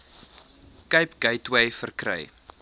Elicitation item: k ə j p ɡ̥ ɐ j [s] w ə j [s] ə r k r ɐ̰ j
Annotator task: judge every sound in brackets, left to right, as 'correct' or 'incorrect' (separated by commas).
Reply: incorrect, incorrect